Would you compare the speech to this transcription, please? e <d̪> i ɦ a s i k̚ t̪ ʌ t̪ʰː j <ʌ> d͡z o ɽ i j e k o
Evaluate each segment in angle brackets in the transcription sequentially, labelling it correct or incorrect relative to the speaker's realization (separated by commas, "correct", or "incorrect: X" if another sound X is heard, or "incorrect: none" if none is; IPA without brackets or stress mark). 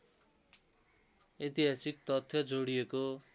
incorrect: t̪, correct